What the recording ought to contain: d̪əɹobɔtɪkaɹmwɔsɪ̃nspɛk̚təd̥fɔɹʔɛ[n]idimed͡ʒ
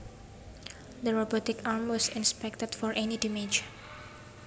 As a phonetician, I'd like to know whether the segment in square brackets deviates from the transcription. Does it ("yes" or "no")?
no